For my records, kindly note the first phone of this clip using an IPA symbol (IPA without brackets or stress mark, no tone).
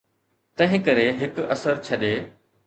t̪